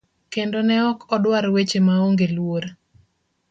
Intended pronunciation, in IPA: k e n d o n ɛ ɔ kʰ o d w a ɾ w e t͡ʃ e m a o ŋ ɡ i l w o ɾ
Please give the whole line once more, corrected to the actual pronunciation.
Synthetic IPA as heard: k e n d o n ɛ ɔ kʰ ɔ d w a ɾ w e t͡ʃ e m a o ŋ ɡ e l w o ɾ